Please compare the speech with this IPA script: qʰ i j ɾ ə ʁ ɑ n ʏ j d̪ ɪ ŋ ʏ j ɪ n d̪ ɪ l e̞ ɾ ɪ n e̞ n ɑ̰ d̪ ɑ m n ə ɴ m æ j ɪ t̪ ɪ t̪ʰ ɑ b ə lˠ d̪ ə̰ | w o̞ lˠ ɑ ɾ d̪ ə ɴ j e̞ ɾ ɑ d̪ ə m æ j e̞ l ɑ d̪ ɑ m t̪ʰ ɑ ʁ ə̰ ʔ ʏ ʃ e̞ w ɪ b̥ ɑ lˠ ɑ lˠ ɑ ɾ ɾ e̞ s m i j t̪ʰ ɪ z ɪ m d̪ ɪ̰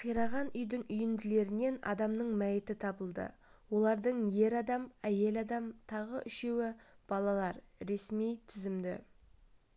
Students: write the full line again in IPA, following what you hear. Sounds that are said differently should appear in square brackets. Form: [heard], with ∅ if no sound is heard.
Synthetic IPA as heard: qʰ i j ɾ [ɑ] ʁ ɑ n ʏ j d̪ ɪ ŋ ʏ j ɪ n d̪ ɪ l e̞ ɾ ɪ n e̞ n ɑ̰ d̪ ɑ m n ə ɴ m æ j ɪ t̪ ɪ t̪ʰ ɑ b ə lˠ d̪ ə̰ | w o̞ lˠ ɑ ɾ d̪ ə ɴ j e̞ ɾ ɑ d̪ [ɑ] m æ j e̞ l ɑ d̪ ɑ m t̪ʰ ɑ ʁ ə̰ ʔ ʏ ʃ e̞ w ɪ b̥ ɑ lˠ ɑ lˠ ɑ ɾ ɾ e̞ s m i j t̪ʰ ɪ z ɪ m d̪ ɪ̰